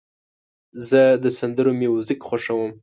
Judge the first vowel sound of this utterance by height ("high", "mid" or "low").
mid